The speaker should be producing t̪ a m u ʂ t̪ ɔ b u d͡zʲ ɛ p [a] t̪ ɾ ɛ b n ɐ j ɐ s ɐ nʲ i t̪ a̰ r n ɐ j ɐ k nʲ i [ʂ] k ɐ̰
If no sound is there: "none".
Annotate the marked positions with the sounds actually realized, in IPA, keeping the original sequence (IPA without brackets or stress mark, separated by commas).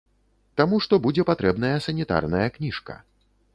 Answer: a, ʂ